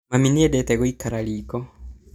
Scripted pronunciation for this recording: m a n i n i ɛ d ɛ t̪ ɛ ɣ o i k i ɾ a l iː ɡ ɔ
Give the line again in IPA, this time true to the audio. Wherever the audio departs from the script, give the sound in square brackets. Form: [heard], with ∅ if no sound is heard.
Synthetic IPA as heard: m a [m] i n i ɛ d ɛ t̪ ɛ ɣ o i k [a] ɾ a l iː [k] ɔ